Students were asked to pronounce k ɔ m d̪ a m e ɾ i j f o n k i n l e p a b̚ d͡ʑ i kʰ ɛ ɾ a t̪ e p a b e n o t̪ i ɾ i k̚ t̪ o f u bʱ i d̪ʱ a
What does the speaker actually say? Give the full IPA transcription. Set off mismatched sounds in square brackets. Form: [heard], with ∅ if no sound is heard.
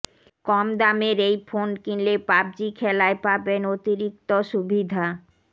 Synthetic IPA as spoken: k ɔ m d̪ a m e ɾ [e] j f o n k i n l e p a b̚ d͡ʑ i kʰ ɛ [l] a [∅] e p a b e n o t̪ i ɾ i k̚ t̪ o [ʃ] u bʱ i d̪ʱ a